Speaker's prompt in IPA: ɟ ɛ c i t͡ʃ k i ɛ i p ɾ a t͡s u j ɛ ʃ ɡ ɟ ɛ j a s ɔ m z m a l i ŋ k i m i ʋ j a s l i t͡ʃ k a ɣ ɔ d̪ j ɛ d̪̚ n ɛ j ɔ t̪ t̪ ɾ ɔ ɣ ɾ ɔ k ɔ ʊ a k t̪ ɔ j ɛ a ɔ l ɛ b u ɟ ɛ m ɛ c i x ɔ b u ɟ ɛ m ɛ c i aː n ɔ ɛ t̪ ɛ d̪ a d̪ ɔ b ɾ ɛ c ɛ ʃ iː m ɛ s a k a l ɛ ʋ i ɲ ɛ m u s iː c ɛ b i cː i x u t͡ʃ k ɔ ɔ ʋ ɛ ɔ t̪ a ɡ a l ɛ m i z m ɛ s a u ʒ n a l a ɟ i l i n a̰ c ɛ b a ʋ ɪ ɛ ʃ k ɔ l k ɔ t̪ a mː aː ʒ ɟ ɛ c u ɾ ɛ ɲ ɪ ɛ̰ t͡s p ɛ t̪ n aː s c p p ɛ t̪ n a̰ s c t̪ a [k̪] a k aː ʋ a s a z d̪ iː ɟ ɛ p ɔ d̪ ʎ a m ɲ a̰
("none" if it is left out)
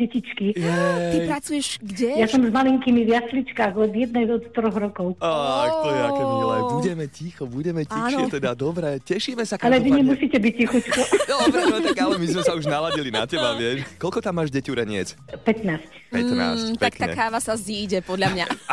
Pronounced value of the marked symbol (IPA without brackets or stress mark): k̪